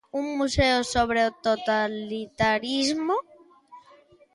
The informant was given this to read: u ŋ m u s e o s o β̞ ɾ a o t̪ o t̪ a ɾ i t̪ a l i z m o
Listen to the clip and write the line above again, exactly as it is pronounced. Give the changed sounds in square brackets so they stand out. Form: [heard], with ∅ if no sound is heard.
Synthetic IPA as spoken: u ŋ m u s e o s o β̞ ɾ [e] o t̪ o t̪ a [l] i t̪ a [ɾ] i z m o